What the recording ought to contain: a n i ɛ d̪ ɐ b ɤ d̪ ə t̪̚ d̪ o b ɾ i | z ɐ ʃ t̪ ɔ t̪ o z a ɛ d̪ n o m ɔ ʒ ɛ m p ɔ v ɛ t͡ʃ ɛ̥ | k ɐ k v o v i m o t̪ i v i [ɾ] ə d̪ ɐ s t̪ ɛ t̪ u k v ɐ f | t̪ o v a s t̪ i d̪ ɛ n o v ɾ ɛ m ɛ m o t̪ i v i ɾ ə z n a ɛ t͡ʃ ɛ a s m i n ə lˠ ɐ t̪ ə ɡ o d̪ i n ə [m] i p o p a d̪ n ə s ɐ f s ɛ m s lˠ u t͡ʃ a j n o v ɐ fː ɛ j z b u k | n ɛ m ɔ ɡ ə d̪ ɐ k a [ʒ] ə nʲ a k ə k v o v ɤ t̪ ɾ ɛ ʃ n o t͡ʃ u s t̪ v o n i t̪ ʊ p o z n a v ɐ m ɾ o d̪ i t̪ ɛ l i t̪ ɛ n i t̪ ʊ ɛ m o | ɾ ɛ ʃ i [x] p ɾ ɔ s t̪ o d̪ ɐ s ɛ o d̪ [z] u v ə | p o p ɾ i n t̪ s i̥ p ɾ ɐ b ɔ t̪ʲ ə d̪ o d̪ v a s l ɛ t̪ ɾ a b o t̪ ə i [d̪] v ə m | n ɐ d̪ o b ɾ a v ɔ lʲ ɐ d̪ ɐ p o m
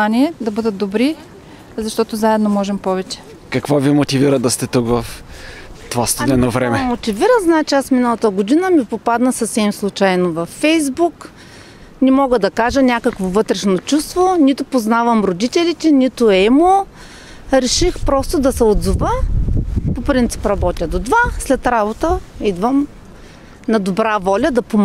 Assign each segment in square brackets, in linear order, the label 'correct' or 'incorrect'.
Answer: correct, correct, correct, correct, correct, correct

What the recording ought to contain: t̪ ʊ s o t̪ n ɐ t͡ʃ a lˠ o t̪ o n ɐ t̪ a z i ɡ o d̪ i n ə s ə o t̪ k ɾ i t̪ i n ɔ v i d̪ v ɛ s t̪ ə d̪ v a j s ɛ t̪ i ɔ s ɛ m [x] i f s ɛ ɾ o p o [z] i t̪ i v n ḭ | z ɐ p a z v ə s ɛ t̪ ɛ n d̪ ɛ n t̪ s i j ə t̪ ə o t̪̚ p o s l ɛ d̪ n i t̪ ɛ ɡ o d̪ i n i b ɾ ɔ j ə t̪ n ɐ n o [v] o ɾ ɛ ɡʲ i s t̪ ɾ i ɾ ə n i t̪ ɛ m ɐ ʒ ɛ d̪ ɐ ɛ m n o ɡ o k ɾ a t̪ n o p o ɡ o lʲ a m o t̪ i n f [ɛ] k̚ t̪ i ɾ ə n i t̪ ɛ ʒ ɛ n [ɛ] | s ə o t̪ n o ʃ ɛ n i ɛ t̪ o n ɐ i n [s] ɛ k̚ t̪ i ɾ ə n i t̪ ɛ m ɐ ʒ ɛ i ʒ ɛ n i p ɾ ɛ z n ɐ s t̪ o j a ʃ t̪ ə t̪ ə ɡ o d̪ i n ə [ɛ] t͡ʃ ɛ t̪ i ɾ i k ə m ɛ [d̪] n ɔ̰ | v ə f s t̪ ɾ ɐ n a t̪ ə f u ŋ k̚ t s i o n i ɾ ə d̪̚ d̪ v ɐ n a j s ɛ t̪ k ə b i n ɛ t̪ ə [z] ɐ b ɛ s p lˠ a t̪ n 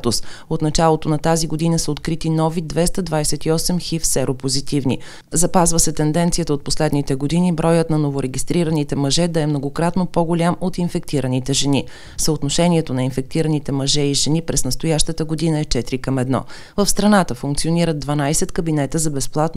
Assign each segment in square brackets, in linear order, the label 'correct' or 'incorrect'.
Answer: correct, correct, correct, correct, incorrect, incorrect, correct, correct, correct

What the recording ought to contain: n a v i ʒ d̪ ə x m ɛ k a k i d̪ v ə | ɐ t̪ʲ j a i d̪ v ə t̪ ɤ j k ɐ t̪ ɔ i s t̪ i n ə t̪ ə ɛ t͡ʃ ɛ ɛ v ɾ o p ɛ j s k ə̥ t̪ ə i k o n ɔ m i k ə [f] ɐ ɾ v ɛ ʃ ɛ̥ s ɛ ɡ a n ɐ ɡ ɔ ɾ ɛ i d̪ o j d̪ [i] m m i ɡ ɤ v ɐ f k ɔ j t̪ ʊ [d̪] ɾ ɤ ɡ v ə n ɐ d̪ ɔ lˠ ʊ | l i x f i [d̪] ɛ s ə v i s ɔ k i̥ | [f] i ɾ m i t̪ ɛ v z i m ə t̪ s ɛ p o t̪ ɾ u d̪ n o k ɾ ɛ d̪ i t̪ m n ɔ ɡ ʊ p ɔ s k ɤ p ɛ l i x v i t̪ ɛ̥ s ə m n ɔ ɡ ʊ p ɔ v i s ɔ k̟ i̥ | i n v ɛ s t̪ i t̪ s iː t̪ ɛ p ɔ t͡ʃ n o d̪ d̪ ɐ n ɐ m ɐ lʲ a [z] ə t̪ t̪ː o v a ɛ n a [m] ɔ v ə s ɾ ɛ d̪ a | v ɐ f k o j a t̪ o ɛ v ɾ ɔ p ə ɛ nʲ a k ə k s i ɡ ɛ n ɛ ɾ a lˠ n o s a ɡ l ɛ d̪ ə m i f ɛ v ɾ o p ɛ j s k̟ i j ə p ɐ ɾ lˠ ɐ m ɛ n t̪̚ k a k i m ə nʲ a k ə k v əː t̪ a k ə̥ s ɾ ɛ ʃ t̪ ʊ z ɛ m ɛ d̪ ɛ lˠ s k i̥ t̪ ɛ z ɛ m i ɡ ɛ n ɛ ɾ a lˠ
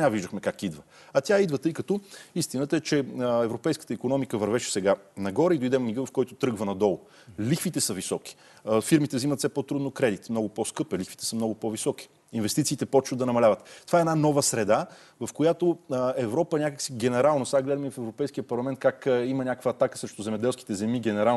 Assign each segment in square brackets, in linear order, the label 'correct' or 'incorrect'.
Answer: incorrect, incorrect, incorrect, incorrect, correct, incorrect, incorrect

